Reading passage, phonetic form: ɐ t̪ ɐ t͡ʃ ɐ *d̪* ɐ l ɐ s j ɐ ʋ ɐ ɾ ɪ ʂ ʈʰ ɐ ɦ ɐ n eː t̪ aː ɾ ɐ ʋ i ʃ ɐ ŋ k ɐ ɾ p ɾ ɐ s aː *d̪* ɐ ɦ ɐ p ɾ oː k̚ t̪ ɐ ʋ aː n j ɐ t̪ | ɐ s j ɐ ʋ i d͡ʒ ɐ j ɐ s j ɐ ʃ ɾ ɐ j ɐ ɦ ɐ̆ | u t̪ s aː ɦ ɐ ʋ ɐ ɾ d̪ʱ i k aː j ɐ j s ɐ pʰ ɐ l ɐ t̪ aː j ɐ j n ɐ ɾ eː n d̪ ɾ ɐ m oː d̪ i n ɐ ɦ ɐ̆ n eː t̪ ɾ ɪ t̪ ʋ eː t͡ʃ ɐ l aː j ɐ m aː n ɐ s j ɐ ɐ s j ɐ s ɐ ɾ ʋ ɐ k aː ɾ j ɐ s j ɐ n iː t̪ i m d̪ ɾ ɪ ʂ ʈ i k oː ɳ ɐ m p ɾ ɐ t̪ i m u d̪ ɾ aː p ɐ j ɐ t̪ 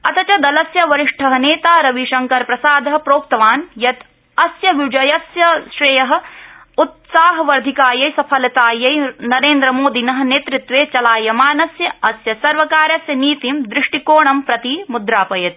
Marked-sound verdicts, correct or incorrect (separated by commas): correct, correct